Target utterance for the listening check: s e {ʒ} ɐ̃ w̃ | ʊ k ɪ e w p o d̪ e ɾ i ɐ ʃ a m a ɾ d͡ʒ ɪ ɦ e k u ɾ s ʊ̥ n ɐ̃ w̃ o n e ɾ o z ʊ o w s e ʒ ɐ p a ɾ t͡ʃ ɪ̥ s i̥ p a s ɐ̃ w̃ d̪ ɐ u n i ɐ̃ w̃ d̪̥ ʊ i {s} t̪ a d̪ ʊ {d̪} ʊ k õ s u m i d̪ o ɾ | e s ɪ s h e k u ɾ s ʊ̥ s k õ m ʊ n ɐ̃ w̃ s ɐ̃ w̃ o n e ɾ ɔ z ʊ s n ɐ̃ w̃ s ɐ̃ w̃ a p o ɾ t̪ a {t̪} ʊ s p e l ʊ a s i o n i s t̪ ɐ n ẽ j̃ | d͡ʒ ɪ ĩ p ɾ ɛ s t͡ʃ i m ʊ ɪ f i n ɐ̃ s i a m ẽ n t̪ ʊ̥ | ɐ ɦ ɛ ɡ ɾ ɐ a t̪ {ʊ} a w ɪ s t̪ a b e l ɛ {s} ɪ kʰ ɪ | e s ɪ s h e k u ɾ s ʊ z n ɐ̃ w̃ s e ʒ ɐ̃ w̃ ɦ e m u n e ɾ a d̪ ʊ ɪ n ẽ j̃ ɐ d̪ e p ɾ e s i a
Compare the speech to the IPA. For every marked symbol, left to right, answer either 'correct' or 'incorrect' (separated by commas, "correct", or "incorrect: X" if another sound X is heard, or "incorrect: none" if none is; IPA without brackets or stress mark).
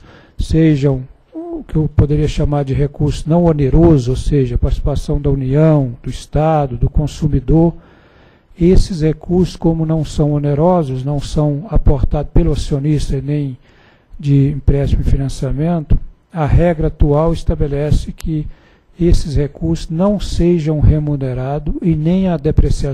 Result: correct, correct, correct, incorrect: d̪, incorrect: u, correct